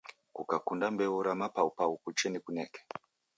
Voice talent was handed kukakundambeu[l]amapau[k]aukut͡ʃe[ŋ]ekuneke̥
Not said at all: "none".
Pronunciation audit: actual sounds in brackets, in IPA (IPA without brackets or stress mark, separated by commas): ɾ, p, n